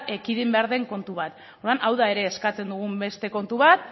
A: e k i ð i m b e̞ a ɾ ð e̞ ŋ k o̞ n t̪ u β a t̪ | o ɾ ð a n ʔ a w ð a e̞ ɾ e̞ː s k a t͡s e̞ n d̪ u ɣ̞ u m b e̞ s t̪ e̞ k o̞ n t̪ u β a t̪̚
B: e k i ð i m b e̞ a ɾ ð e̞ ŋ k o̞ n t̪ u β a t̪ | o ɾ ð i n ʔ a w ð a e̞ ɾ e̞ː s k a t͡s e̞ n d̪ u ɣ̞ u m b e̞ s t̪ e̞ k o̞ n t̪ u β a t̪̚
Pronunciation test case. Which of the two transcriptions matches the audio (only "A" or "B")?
A